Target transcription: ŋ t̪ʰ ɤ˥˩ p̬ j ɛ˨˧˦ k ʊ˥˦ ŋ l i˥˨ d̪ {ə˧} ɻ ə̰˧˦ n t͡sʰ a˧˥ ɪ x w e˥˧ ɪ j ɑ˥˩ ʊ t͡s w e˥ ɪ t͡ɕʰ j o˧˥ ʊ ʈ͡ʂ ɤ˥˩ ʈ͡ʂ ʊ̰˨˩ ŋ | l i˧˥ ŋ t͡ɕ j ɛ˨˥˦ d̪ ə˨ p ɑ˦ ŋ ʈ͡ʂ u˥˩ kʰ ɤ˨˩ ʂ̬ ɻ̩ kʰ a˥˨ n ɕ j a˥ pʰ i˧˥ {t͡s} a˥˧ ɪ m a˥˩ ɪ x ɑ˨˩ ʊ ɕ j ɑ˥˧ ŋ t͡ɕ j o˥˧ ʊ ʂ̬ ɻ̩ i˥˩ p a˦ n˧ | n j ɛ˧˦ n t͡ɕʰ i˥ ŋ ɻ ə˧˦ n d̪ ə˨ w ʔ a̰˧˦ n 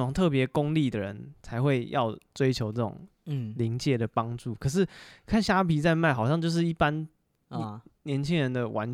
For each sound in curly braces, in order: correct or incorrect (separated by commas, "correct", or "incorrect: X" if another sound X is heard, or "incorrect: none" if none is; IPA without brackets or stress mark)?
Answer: incorrect: ə˩, correct